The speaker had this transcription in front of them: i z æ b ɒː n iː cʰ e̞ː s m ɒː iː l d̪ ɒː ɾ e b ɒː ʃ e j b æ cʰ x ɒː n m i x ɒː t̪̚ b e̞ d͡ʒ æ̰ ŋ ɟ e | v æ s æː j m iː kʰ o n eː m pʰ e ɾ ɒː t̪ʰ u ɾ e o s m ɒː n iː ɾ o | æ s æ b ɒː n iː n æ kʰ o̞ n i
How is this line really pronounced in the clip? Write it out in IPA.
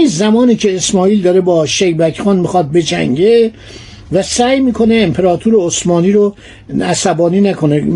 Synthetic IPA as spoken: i z æ m ɒː n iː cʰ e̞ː s m ɒː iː l d̪ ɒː ɾ e b ɒː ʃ e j b æ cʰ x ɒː n m i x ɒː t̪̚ b e̞ d͡ʒ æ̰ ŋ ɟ e | v æ s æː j m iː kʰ o n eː m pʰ e ɾ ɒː t̪ʰ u ɾ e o s m ɒː n iː ɾ o | æ s æ b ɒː n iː n æ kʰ o̞ n e